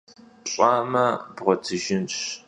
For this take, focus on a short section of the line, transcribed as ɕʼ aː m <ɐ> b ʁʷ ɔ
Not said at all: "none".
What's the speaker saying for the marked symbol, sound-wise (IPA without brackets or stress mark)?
ɐ